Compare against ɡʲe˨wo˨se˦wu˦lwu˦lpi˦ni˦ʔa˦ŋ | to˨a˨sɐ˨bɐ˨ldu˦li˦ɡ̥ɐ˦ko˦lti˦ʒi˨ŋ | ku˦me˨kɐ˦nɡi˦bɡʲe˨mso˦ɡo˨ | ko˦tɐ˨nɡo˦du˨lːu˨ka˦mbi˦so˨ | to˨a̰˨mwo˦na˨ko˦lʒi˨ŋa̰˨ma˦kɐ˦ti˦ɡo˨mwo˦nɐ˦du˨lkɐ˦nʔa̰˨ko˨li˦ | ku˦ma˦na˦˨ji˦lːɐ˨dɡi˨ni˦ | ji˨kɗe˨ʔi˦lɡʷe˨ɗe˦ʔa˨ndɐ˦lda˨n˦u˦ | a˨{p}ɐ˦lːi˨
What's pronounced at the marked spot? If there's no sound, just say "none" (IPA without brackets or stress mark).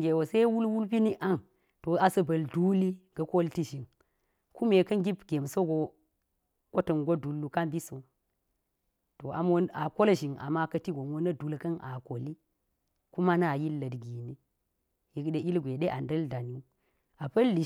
p